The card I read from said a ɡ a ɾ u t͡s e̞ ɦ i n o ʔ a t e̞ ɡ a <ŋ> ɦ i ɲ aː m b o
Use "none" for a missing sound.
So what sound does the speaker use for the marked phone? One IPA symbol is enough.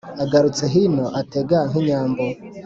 ŋ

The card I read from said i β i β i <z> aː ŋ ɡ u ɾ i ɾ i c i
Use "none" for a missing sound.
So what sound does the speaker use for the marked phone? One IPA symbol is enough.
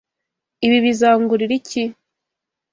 z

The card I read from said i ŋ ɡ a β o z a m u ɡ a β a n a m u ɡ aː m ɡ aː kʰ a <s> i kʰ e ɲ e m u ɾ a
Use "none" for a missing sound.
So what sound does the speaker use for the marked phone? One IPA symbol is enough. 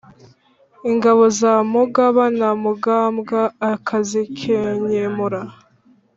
z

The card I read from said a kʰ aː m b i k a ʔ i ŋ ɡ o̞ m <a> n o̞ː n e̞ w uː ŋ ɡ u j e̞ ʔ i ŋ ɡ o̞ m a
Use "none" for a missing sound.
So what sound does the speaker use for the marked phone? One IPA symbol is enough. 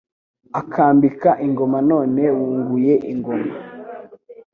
a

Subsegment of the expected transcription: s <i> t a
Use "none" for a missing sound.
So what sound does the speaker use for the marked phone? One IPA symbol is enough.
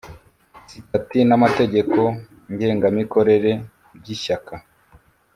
i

